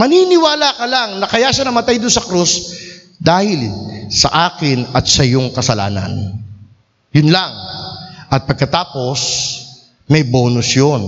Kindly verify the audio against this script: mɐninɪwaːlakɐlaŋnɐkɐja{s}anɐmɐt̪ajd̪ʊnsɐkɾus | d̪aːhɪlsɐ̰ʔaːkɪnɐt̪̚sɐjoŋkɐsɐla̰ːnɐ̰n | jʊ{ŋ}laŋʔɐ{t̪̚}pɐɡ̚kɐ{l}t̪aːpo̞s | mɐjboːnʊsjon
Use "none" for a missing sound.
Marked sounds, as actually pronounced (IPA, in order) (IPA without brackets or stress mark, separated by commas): ʃ, n, t̪̚, none